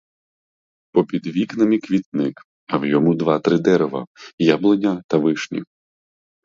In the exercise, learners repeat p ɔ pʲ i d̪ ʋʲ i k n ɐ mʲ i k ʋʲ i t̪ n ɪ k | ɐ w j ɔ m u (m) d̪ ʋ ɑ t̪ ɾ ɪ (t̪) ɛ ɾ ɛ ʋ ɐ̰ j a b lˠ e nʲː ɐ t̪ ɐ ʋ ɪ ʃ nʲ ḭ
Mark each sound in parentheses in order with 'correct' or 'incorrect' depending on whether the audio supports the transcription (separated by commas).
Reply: incorrect, incorrect